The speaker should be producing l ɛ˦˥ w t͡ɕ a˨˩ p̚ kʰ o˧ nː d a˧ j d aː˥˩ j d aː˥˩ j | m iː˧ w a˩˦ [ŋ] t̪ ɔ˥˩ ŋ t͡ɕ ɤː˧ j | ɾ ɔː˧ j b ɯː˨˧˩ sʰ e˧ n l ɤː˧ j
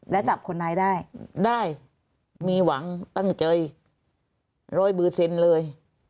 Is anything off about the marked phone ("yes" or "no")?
no